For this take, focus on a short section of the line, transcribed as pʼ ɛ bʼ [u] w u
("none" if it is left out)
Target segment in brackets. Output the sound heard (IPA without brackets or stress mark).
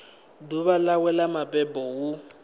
ɔ